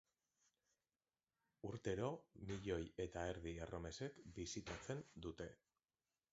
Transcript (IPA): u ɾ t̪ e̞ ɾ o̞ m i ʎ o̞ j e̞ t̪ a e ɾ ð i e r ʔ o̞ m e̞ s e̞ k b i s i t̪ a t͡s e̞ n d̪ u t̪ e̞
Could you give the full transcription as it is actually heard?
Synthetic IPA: u ɾ t̪ e̞ ɾ o̞ m i ʎ o̞ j e̞ t̪ a e ɾ ð i e r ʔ o̞ m e̞ s e̞ k b i s i t̪ a t͡s e̞ n d̪ u t̪ e̞

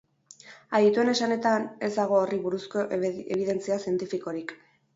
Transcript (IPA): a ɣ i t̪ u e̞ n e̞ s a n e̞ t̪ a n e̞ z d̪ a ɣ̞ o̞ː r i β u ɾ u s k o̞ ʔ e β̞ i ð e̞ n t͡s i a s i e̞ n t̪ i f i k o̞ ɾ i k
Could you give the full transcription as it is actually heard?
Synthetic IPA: a ð i t̪ u e̞ n e̞ s a n e̞ t̪ a n e̞ z d̪ a ɣ̞ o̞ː r i β u ɾ u s k o̞ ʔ e β̞ i ð e̞ n t͡s i a s i e̞ n t̪ i f i k o̞ ɾ i k

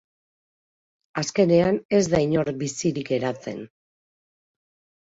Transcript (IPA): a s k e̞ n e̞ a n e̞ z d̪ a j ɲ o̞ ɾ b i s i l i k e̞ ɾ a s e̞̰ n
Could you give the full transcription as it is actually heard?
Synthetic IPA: a s k e̞ n e̞ a n e̞ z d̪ a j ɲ o̞ ɾ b i s i ɾ i k e̞ ɾ a t͡s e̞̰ n

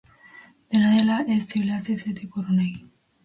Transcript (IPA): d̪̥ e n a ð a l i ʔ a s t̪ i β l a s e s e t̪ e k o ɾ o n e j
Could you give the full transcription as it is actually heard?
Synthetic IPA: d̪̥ e n a ð e l a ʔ e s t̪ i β l a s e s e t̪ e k o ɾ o n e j

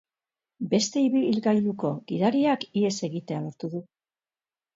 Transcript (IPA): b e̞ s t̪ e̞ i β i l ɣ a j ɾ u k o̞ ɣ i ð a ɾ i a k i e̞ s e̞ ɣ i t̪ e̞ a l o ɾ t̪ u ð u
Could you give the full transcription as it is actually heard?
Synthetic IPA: b e̞ s t̪ e̞ i β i l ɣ a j l u k o̞ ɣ i ð a ɾ i a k i e̞ s e̞ ɣ i t̪ e̞ a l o ɾ t̪ u ð u

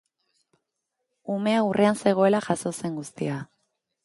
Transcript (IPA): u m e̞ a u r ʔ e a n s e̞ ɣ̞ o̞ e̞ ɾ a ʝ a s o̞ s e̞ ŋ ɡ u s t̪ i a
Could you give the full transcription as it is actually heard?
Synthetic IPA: u m e̞ a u r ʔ e a n s e̞ ɣ̞ o̞ e̞ l a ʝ a s o̞ s e̞ ŋ ɡ u s t̪ i a

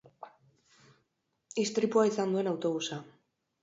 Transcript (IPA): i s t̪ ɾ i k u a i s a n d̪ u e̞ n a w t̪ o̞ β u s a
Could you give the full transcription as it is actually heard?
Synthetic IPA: i s t̪ ɾ i p u a i s a n d̪ u e̞ n a w t̪ o̞ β u s a

